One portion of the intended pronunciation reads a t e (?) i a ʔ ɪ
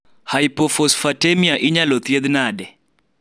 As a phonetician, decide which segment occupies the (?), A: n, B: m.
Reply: B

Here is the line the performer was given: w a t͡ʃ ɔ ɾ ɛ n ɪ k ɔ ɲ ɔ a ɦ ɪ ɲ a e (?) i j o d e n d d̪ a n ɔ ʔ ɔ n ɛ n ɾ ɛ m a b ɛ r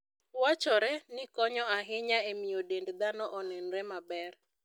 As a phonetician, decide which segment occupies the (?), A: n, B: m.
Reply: B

